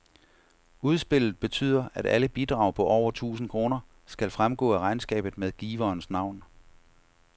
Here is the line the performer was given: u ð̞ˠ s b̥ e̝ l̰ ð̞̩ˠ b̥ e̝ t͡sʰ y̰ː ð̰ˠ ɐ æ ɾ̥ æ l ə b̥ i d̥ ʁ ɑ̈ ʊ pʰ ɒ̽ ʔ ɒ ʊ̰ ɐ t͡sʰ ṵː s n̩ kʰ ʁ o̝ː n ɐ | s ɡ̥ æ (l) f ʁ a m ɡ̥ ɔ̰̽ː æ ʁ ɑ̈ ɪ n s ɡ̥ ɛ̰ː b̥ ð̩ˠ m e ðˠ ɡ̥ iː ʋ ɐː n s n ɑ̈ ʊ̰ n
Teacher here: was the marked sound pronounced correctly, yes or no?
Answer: yes